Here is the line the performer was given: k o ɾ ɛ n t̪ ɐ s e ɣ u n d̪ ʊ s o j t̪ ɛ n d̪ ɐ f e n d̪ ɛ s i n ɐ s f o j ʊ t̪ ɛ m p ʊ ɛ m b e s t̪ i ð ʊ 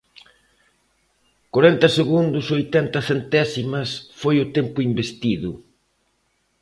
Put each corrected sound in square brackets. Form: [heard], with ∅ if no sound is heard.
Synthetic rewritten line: k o ɾ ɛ n t̪ ɐ s e ɣ u n d̪ ʊ s o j t̪ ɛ n [t̪] ɐ [θ] e n [t̪] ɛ s i [m] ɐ s f o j ʊ t̪ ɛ m p ʊ [i] m b e s t̪ i ð ʊ

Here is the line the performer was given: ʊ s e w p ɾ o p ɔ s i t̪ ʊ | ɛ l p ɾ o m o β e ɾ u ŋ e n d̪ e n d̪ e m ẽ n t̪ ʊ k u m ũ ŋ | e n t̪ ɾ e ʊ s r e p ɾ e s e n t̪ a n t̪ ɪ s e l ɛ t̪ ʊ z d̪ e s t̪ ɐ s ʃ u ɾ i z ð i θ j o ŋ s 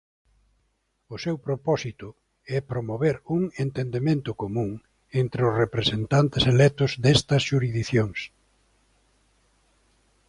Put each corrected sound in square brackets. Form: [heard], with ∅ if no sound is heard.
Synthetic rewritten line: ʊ s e w p ɾ o p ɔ s i t̪ ʊ | ɛ [∅] p ɾ o m o β e ɾ u ŋ e n [t̪] e n d̪ e m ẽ n t̪ ʊ k [o] m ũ ŋ | e n t̪ ɾ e ʊ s r e p ɾ e s e n t̪ a n t̪ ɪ s e l ɛ t̪ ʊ z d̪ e s t̪ ɐ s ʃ u ɾ i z ð i θ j o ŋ s

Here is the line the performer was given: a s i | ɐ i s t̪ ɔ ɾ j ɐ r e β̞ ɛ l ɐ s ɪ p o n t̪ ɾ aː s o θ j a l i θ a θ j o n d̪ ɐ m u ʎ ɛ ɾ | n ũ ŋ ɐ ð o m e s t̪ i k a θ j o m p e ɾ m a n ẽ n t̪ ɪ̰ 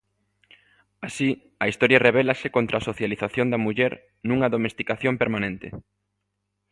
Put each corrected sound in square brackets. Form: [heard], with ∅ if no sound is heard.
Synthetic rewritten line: a s i | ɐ i s t̪ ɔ ɾ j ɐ r e β̞ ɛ l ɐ s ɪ [k] o n t̪ ɾ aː s o θ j a l i θ a θ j o n d̪ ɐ m u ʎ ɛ ɾ | n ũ ŋ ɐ ð o m e s t̪ i k a θ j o m p e ɾ m a n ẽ n t̪ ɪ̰

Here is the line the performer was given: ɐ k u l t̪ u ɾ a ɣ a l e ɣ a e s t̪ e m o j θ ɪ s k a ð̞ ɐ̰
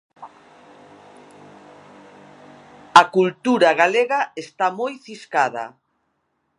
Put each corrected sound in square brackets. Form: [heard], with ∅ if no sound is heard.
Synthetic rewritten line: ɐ k u l t̪ u ɾ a ɣ a l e ɣ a e s t̪ [a] m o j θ [i] s k a ð̞ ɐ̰

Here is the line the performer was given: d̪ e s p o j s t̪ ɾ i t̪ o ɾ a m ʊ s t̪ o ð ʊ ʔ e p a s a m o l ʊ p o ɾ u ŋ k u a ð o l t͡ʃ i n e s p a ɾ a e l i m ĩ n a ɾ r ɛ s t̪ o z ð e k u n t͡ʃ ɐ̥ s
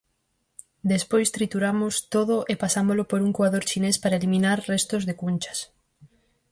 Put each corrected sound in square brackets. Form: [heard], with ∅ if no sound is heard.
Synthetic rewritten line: d̪ e s p o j s t̪ ɾ i t̪ [u] ɾ a m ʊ s t̪ o ð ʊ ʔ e p a s a m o l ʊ p o ɾ u ŋ k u a ð o [ɾ] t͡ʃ i n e s p a ɾ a e l i m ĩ n a ɾ r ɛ s t̪ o z ð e k u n t͡ʃ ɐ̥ s

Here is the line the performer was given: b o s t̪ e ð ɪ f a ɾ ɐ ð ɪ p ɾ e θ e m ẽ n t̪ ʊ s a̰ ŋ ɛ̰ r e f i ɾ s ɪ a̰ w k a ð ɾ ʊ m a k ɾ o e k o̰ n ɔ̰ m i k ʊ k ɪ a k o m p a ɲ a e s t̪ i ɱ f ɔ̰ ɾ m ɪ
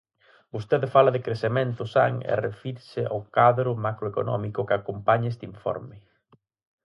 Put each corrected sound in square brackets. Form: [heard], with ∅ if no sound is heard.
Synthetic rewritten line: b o s t̪ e ð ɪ f a [l] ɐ ð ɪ [k] ɾ e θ e m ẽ n t̪ ʊ s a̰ ŋ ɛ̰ r e f i ɾ s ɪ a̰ w k a ð ɾ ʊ m a k ɾ o e k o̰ n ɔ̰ m i k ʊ k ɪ a k o m p a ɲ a e s t̪ i ɱ f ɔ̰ ɾ m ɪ

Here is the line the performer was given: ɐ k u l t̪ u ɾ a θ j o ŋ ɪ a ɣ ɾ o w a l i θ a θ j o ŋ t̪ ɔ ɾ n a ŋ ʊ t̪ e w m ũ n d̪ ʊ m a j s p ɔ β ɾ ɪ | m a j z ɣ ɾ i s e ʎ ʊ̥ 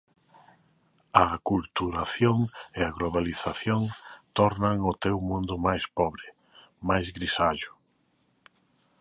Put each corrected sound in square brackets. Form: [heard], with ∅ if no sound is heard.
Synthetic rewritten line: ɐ k u l t̪ u ɾ a θ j o ŋ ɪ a ɣ [l] o [β] a l i θ a θ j o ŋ t̪ ɔ ɾ n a ŋ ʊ t̪ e w m ũ n d̪ ʊ m a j s p ɔ β ɾ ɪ | m a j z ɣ ɾ i s [a] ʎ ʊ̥

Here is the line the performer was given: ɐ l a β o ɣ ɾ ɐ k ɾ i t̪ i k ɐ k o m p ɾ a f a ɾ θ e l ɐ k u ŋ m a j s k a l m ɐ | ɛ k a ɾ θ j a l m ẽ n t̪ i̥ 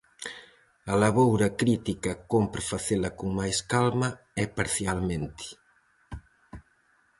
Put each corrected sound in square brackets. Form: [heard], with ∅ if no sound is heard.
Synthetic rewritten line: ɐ l a β o [w] ɾ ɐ k ɾ i t̪ i k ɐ k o m p ɾ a f a [∅] θ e l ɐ k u ŋ m a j s k a l m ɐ | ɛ [p] a ɾ θ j a l m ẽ n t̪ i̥

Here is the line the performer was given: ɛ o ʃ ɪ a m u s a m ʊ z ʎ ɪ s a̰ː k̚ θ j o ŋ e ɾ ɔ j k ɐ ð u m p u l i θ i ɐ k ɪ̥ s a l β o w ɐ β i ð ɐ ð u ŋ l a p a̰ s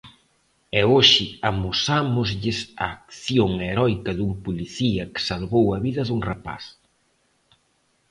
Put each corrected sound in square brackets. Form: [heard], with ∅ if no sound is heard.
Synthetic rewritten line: ɛ o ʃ ɪ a m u s a m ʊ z ʎ ɪ s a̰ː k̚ θ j o ŋ e ɾ ɔ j k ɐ ð u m p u l i θ i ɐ k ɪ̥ s a l β o w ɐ β i ð ɐ ð u ŋ [r] a p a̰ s

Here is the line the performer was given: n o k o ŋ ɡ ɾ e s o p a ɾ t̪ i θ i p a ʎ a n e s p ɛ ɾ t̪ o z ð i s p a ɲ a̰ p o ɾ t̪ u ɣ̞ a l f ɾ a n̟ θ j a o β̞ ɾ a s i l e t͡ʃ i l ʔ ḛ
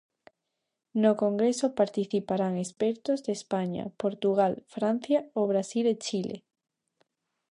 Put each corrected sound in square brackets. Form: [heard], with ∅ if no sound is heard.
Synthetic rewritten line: n o k o ŋ ɡ ɾ e s o p a ɾ t̪ i θ i p a [ɾ] a [ŋ] e s p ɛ ɾ t̪ o z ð [e] s p a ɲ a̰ p o ɾ t̪ u ɣ̞ a l f ɾ a n̟ θ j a o β̞ ɾ a s i l e t͡ʃ i l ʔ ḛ

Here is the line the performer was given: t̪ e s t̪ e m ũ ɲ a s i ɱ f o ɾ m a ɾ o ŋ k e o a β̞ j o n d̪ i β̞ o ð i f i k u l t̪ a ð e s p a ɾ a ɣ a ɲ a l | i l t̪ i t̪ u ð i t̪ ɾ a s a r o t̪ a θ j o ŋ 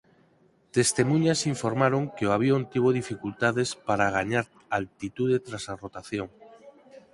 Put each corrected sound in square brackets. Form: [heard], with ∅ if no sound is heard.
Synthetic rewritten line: t̪ e s t̪ e m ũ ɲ a s i ɱ f o ɾ m a ɾ o ŋ k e o a β̞ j o n [t̪] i β̞ o ð i f i k u l t̪ a ð e s p a ɾ a ɣ a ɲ a [ɾ] | [a] l t̪ i t̪ u ð [e] t̪ ɾ a s a r o t̪ a θ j o ŋ

